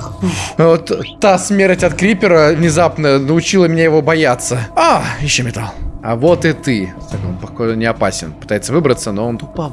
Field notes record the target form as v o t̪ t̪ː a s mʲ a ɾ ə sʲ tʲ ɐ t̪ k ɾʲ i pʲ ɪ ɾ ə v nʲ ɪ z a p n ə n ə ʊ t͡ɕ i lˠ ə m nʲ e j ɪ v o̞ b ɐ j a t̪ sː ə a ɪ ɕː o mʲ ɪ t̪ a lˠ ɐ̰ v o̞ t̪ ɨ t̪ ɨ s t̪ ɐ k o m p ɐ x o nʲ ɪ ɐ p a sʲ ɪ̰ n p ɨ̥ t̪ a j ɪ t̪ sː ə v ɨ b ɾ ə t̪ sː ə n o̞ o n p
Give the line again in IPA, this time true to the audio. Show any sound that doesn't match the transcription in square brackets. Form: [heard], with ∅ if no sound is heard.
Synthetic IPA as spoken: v o t̪ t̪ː a s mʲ [e] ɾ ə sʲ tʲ ɐ t̪ k ɾʲ i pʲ ɪ ɾ ə v nʲ ɪ z a p n ə n ə ʊ t͡ɕ i lˠ ə m nʲ e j ɪ v o̞ b ɐ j a t̪ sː ə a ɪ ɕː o mʲ ɪ t̪ a lˠ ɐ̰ v o̞ t̪ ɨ t̪ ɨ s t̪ ɐ k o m p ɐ x o nʲ ɪ ɐ p a sʲ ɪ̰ n p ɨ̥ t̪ a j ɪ t̪ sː ə v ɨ b ɾ ə t̪ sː ə n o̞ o n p